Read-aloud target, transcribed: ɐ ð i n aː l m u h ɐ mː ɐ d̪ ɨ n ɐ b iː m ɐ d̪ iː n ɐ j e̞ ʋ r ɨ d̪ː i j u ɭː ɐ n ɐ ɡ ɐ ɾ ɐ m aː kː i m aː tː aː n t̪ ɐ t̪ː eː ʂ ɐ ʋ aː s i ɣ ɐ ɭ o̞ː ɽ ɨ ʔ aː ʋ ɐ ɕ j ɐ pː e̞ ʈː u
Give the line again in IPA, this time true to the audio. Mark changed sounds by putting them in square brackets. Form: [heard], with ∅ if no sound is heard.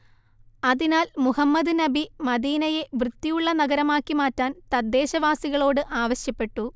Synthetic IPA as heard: ɐ ð i n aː l m u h ɐ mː ɐ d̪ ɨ n ɐ b [i] m ɐ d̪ iː n ɐ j e̞ ʋ r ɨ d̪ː i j u ɭː ɐ n ɐ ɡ ɐ ɾ ɐ m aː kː i m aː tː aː n t̪ ɐ [d̪ː] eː [ɕ] ɐ ʋ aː s i ɣ ɐ ɭ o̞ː ɽ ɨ ʔ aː ʋ ɐ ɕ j ɐ pː e̞ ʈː u

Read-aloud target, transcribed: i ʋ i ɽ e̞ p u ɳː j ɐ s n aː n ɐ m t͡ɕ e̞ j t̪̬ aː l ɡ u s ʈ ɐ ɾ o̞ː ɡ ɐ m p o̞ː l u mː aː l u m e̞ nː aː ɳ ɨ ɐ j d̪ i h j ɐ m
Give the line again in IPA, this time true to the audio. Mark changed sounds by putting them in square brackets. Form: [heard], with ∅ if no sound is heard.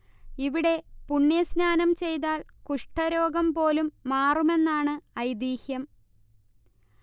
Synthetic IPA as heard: i ʋ i ɽ e̞ p u ɳː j ɐ s n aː n ɐ m t͡ɕ e̞ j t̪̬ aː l [k] u [ʂ] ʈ ɐ ɾ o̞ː ɡ ɐ m p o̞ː l u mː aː [r] u m e̞ nː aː ɳ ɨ ɐ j d̪ [iː] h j ɐ m

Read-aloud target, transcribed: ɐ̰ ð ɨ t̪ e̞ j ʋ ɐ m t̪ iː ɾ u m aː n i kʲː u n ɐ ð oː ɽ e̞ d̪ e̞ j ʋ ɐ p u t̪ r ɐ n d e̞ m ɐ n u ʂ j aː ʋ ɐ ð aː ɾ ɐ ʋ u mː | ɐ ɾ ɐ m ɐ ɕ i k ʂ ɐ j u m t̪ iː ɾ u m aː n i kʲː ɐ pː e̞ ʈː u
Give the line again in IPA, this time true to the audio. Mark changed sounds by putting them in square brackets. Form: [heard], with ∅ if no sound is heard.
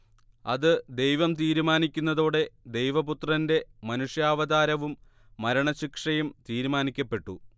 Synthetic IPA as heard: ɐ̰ ð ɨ [d̪] e̞ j ʋ ɐ m t̪ iː ɾ u m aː n i kʲː u [nː] ɐ ð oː ɽ e̞ d̪ e̞ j ʋ ɐ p u t̪ r ɐ n d e̞ m ɐ n u ʂ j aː ʋ ɐ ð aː ɾ ɐ ʋ u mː | ɐ ɾ ɐ [ɳ] ɐ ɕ i k ʂ ɐ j u m t̪ iː ɾ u m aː n i kʲː ɐ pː e̞ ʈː u

